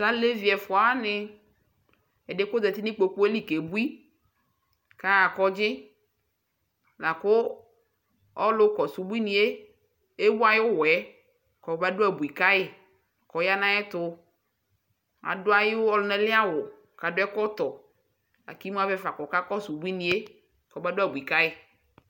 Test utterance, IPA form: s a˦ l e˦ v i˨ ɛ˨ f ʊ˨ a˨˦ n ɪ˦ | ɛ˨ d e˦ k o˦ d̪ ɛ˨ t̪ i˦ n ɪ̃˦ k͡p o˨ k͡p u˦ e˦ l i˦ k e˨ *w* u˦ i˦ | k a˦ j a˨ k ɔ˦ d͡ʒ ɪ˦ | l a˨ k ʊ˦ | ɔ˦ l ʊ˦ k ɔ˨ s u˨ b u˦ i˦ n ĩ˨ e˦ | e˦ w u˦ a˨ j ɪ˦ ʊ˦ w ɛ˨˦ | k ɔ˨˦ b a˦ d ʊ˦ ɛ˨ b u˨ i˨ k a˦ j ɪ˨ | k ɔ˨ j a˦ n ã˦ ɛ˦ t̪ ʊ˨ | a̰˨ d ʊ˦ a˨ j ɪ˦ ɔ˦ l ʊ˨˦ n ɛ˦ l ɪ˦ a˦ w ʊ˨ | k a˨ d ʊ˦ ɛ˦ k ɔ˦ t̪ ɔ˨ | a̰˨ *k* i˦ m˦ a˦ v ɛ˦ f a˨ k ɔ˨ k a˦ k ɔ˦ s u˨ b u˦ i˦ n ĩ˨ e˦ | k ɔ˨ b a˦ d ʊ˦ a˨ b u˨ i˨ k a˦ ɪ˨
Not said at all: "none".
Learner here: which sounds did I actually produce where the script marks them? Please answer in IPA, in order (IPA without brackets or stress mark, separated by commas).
b, k